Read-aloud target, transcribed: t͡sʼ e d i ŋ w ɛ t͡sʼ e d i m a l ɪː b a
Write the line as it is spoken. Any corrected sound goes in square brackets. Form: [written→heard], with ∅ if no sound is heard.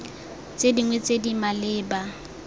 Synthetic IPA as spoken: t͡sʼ e d i ŋ w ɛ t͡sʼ e d i m a l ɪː b a